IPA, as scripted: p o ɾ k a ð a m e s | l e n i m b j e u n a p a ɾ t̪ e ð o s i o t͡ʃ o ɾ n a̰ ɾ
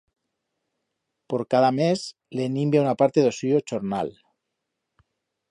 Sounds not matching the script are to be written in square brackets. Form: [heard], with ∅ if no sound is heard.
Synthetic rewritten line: p o ɾ k a ð a m e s | l e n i m b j [a] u n a p a ɾ t̪ e ð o s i o t͡ʃ o ɾ n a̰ [l]

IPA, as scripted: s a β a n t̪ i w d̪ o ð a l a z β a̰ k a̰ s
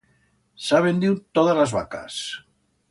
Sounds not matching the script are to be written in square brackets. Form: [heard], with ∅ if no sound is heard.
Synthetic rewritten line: s a β [e] n [d̪] i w [t̪] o ð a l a z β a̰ k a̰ s

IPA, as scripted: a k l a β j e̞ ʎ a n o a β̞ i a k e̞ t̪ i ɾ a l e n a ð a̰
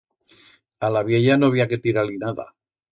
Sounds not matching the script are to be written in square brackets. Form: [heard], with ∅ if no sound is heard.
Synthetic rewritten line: a [∅] l a β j e̞ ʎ a n o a β̞ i a k e̞ t̪ i ɾ a l [i] n a ð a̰

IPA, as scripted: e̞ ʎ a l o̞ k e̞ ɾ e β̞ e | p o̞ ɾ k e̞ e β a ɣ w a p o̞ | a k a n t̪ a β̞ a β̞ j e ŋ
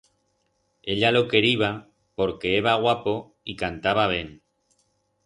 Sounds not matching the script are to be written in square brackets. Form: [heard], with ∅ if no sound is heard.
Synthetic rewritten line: e̞ ʎ a l o̞ k e̞ ɾ [i] β̞ [a] | p o̞ ɾ k e̞ e β a ɣ w a p o̞ | [i] k a n t̪ a β̞ a β̞ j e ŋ

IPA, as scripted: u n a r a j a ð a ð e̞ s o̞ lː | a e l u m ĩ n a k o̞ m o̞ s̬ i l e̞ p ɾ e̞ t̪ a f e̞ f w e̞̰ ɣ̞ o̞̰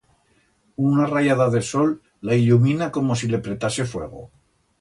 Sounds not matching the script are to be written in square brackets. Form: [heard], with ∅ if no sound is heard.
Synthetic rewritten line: u n a r a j a ð a ð e̞ s o̞ lː | a [i] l u m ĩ n a k o̞ m o̞ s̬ i l e̞ p ɾ e̞ t̪ a [s] e̞ f w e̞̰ ɣ̞ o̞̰

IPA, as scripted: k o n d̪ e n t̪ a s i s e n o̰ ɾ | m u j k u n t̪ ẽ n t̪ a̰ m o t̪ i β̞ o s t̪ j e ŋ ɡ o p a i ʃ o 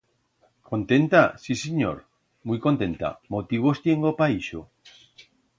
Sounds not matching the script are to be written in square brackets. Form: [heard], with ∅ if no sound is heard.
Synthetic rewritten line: k o n [t̪] e n t̪ a s i s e [ɲ] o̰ ɾ | m u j k [o] n t̪ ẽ n t̪ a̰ m o t̪ i β̞ o s t̪ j e ŋ ɡ o p a i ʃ o

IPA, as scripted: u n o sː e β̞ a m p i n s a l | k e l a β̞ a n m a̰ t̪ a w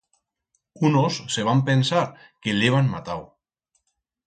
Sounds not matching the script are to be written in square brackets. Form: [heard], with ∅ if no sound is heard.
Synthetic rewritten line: u n o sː e β̞ a m p [e] n s a [ɾ] | k e l [e] β̞ a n m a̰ t̪ a w

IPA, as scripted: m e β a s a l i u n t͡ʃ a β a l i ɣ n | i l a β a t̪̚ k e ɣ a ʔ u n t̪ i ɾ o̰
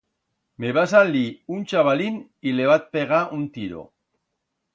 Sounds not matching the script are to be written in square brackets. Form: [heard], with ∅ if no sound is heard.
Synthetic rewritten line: m e β a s a l i u n t͡ʃ a β a l i [∅] n | i l [e] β a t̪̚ [p] e ɣ a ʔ u n t̪ i ɾ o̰

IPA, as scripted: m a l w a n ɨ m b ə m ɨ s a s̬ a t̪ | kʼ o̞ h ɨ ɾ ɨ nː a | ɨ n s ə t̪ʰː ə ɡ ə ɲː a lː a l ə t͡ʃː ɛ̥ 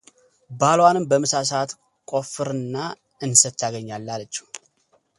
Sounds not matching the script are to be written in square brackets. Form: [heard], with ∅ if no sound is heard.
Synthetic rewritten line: [b] a l w a n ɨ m b ə m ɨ s a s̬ a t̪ | kʼ o̞ [f] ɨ ɾ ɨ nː a | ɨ n s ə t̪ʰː [a] ɡ ə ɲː a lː a l ə t͡ʃː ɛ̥

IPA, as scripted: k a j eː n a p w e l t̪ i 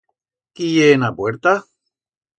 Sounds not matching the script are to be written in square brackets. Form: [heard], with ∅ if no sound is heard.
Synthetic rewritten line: k [i] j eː n a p w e [ɾ] t̪ [a]

